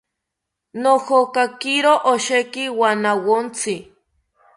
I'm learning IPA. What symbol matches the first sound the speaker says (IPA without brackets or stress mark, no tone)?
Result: n